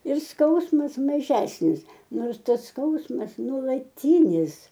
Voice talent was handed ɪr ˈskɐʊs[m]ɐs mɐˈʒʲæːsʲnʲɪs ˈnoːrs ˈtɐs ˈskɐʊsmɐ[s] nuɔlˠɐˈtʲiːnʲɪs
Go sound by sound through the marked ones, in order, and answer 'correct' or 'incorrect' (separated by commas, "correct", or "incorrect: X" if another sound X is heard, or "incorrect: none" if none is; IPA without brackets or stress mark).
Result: correct, correct